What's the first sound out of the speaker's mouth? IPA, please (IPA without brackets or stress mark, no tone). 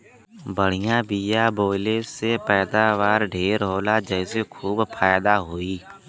b